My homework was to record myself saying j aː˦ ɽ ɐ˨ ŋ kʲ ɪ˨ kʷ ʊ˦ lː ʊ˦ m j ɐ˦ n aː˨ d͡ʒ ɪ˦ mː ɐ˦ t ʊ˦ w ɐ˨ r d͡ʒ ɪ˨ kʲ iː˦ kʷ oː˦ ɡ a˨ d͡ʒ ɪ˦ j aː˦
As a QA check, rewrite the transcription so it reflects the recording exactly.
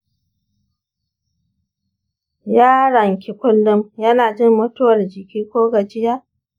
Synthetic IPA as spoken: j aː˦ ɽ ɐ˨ ŋ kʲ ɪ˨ kʷ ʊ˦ lː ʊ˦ m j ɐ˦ n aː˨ d͡ʒ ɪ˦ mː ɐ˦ t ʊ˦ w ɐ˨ r d͡ʒ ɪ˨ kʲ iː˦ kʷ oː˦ ɡ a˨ d͡ʒ ɪ˦ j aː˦